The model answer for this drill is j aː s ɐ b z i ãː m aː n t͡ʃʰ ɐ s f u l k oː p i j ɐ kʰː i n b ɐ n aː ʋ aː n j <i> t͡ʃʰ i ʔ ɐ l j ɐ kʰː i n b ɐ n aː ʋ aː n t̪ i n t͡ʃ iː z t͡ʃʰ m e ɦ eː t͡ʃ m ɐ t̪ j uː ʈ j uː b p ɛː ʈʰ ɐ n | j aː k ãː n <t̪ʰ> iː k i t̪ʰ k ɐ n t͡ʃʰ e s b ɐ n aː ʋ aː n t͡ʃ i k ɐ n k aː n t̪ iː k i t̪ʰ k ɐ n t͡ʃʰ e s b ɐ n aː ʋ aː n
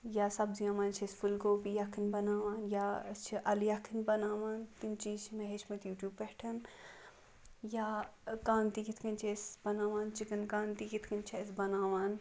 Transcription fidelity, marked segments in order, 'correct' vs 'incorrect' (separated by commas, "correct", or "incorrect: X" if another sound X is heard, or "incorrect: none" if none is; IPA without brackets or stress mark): incorrect: a, incorrect: t̪